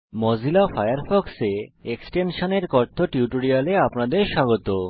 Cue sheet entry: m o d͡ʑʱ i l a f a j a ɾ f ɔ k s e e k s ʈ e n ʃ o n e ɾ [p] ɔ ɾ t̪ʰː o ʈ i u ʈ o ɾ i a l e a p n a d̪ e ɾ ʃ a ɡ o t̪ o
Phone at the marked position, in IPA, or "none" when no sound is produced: k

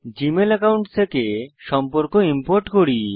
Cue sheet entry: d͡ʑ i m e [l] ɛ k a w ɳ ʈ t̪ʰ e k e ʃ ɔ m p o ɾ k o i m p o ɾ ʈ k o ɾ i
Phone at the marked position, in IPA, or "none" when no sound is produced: l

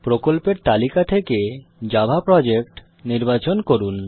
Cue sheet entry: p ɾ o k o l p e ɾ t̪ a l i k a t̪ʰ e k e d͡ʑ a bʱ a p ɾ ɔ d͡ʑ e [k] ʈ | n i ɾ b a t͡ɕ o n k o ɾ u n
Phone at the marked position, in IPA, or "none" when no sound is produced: k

